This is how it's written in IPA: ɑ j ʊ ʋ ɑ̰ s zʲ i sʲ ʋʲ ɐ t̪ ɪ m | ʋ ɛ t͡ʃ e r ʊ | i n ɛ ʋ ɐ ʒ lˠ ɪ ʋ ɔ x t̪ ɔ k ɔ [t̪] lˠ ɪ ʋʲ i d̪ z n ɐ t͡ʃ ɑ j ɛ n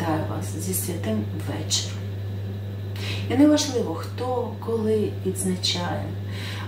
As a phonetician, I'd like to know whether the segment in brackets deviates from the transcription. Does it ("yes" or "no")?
yes